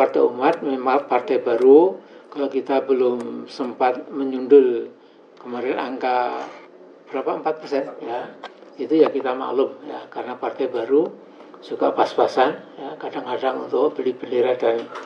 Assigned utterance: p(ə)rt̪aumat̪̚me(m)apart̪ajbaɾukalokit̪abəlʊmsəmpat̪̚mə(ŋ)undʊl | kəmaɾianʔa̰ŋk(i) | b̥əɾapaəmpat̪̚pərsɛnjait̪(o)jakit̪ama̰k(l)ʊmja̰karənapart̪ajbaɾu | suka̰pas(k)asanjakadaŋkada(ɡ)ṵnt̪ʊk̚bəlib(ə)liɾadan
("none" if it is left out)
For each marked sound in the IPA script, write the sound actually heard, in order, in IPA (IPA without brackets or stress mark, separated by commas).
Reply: a, m, ɲ, a, u, l, p, ŋ, ə